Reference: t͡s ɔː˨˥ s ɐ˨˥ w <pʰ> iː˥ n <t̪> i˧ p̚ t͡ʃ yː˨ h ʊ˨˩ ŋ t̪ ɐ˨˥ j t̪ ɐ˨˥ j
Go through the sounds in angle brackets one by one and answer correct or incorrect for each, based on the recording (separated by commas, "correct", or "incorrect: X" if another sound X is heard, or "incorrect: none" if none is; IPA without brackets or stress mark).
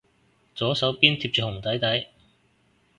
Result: incorrect: p, incorrect: t̪ʰ